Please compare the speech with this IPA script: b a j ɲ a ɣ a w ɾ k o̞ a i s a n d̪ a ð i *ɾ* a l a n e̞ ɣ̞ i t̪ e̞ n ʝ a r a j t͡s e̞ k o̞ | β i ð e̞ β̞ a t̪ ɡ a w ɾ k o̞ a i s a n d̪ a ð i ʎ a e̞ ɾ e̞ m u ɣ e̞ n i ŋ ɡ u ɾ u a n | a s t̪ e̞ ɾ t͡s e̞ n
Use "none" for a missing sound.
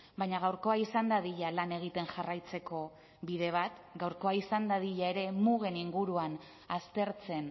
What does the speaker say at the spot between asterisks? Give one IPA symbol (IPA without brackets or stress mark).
ʎ